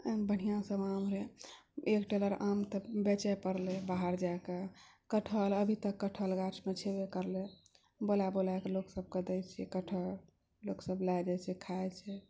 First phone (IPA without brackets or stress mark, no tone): b